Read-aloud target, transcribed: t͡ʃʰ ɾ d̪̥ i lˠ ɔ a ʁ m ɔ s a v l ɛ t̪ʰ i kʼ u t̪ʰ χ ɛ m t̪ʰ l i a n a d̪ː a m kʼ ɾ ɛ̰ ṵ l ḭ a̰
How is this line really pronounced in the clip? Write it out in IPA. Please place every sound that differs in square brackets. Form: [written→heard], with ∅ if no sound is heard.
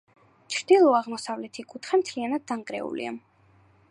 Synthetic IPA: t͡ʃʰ ɾ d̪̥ i lˠ ɔ a ʁ m ɔ s a v l ɛ t̪ʰ i kʼ u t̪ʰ χ ɛ m t̪ʰ l i a n a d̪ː a [m→ŋ] kʼ ɾ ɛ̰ ṵ l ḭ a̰